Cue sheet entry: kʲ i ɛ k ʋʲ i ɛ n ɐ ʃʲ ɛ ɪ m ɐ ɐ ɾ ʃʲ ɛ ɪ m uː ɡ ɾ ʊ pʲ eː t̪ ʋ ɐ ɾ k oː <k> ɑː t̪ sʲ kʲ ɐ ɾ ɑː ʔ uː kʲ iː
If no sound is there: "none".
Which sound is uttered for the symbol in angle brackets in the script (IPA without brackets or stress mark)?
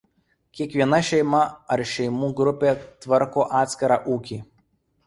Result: ʔ